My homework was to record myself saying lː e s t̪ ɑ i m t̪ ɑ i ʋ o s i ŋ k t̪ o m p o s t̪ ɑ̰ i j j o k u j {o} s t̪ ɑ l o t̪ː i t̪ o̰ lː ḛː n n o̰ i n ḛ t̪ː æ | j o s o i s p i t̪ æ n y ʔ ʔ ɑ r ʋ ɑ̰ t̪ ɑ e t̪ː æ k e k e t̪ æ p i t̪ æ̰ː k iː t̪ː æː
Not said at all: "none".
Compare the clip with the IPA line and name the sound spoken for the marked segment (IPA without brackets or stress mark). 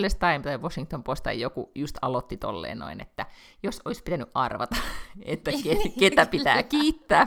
u